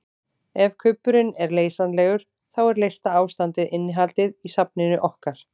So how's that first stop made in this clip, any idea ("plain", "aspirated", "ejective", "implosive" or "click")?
aspirated